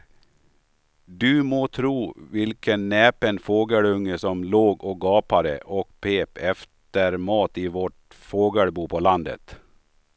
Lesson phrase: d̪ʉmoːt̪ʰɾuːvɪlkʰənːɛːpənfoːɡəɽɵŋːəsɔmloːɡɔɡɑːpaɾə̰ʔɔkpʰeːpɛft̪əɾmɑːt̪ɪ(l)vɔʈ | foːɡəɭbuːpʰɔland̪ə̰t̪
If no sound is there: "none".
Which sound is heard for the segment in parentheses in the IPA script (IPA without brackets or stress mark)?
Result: none